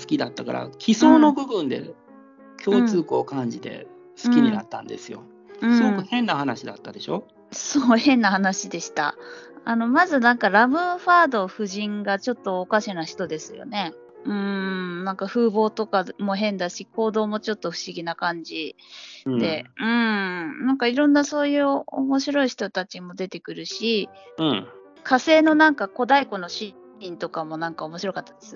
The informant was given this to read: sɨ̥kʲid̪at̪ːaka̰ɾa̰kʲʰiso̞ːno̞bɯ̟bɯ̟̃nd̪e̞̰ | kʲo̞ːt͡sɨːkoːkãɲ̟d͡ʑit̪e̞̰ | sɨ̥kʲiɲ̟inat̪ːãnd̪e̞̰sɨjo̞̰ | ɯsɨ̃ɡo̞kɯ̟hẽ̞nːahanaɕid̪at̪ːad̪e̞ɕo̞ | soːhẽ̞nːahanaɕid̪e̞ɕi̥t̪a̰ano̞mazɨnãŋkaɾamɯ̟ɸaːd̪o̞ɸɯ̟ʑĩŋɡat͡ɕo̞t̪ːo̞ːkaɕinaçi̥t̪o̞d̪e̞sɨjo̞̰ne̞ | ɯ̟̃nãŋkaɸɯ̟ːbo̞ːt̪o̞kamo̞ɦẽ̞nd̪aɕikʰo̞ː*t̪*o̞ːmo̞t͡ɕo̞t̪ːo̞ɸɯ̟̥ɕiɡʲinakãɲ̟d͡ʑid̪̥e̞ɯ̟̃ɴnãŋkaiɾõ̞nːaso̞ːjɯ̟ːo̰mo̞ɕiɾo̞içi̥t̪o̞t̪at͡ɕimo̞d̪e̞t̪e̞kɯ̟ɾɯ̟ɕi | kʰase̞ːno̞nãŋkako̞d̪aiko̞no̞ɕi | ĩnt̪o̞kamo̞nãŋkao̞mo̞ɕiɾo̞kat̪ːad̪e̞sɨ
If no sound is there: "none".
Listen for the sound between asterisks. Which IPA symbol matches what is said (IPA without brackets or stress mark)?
d̪